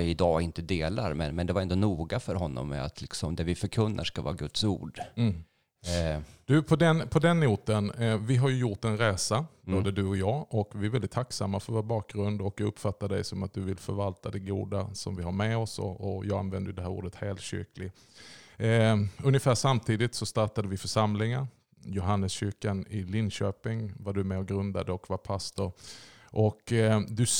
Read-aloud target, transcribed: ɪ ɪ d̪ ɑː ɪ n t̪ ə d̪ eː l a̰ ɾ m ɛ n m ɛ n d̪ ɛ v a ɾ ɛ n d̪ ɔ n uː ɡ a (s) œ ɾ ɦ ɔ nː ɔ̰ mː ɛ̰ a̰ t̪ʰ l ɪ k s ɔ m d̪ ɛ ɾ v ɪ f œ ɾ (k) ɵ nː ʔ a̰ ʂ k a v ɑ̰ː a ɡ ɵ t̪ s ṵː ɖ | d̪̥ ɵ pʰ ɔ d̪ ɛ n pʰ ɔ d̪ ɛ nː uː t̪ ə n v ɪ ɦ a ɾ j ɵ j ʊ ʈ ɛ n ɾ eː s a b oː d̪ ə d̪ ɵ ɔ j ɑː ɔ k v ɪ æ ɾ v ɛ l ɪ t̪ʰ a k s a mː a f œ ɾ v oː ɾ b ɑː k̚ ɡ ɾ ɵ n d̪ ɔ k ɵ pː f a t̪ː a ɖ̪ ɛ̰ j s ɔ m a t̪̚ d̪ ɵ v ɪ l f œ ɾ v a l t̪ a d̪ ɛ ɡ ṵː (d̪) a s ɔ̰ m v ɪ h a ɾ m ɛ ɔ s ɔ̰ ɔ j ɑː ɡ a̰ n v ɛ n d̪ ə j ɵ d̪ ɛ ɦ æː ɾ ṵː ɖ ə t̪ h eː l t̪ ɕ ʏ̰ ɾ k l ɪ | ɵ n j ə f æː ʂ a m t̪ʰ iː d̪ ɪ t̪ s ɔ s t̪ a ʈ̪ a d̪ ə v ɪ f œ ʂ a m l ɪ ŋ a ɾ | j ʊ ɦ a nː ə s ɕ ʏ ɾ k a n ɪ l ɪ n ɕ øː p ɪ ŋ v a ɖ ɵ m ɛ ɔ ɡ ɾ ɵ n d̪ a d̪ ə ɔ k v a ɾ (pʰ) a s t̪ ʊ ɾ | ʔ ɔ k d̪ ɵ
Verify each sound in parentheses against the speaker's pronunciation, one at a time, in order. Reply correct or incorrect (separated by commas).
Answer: incorrect, incorrect, correct, correct